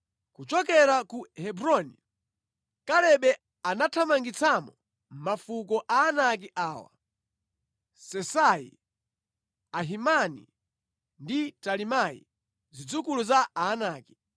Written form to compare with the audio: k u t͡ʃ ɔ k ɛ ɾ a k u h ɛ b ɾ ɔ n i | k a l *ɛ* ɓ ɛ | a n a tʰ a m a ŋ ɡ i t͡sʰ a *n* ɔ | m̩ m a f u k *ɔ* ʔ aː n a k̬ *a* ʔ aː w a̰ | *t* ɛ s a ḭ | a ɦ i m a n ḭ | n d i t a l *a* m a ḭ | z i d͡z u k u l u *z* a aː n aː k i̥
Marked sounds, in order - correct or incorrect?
correct, incorrect: m, correct, incorrect: i, incorrect: s, incorrect: i, correct

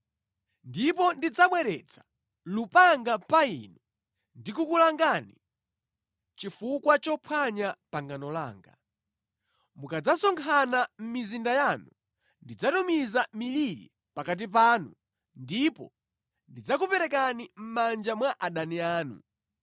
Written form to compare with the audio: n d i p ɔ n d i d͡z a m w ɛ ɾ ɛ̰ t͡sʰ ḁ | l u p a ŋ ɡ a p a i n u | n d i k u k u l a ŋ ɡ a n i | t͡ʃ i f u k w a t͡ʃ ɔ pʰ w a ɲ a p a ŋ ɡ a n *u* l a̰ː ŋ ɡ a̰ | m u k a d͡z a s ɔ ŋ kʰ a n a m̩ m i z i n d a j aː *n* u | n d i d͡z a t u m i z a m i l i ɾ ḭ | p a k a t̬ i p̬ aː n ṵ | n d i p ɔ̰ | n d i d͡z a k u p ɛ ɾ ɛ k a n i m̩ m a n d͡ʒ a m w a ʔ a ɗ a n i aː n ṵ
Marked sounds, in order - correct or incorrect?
incorrect: ɔ, correct

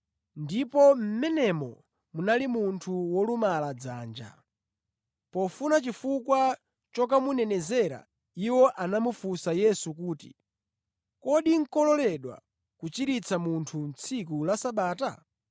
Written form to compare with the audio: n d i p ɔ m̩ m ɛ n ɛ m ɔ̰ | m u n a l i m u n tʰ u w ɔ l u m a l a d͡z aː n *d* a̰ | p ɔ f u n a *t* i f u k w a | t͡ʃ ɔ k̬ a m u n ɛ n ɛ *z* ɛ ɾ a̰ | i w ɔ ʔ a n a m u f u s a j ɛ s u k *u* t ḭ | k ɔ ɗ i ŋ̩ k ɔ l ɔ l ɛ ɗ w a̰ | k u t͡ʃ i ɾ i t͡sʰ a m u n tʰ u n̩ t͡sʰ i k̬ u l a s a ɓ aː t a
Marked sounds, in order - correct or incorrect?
incorrect: d͡ʒ, incorrect: t͡ʃ, correct, incorrect: uː

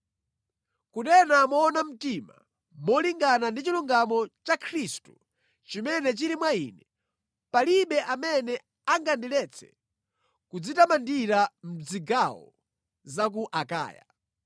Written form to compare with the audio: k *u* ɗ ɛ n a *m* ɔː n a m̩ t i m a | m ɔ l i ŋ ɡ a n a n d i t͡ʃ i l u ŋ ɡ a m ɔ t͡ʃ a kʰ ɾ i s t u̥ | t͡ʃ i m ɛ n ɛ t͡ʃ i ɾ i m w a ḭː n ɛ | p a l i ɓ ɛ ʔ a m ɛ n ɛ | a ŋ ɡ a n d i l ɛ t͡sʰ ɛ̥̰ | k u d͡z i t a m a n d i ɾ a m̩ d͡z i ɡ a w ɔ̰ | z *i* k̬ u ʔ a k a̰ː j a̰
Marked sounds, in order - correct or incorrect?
correct, correct, incorrect: a

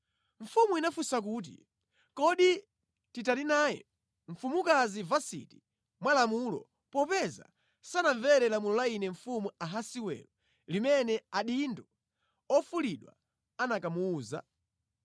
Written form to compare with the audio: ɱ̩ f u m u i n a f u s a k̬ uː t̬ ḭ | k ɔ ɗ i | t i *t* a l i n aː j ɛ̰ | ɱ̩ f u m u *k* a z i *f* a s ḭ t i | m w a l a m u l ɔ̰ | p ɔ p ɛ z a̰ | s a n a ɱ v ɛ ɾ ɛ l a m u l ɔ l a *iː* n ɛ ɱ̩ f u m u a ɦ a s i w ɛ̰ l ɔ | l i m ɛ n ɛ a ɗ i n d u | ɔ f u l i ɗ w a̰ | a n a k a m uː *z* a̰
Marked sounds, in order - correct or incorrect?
correct, correct, incorrect: v, incorrect: i, correct

